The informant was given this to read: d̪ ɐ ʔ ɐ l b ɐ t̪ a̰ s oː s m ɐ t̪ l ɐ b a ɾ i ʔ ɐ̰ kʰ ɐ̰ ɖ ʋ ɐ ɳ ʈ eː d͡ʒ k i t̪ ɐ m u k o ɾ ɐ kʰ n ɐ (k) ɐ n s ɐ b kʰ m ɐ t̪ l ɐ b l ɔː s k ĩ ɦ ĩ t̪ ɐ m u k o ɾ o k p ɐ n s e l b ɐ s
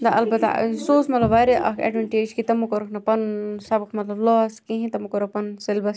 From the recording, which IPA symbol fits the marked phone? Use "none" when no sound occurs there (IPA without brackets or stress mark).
p